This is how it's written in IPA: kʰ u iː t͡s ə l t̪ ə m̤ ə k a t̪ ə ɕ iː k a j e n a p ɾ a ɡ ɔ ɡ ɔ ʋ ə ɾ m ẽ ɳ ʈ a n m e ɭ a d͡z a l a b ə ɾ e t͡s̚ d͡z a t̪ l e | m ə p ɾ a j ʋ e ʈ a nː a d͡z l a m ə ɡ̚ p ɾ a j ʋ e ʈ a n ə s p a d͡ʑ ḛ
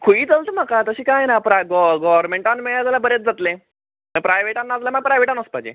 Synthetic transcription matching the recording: kʰ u iː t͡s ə l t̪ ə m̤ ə k a t̪ ə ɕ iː k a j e n a p ɾ a ɡ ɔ ɡ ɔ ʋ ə ɾ m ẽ ɳ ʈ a n m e ɭ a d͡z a l a b ə ɾ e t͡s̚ d͡z a t̪ l e | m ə p ɾ a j ʋ e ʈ a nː a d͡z l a m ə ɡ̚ p ɾ a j ʋ e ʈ a n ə s p a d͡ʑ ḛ